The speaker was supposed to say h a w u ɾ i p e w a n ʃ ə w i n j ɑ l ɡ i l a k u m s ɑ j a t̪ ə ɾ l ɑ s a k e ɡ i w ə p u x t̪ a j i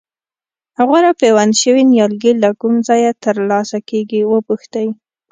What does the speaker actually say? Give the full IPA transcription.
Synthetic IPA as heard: h a ɣ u ɾ a p e w a n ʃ ə w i n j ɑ l ɡ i l a k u m z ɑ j a t̪ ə ɾ l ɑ s a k e ɡ i w ə p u x t̪ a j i